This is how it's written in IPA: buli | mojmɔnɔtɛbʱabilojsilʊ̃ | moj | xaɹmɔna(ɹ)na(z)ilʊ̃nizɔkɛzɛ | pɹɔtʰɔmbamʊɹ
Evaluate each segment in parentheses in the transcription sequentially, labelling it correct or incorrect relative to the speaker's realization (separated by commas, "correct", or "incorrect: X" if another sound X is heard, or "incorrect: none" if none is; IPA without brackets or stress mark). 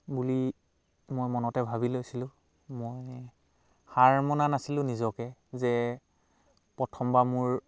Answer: incorrect: none, incorrect: s